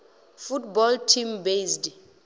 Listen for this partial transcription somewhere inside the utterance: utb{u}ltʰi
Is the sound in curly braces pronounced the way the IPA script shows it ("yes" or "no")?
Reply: no